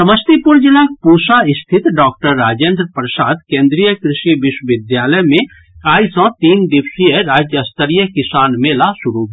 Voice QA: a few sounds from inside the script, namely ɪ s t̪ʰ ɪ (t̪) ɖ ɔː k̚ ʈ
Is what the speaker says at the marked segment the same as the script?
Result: yes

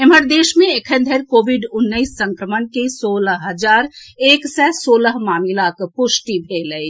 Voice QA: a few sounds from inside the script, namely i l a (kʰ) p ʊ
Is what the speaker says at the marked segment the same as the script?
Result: no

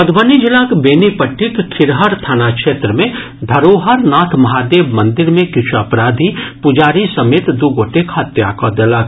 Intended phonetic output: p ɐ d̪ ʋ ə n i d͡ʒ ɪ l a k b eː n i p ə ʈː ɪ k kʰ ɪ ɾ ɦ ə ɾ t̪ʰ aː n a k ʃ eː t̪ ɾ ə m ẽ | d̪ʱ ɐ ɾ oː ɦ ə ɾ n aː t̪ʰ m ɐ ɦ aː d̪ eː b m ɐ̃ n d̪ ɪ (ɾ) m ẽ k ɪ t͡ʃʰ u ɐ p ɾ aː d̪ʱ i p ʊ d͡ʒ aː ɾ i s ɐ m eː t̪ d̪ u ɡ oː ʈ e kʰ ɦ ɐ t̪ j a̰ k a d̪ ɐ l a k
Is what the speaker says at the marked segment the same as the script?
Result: yes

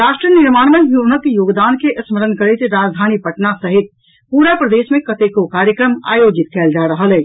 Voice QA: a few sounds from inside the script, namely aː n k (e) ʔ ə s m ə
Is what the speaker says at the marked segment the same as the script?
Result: yes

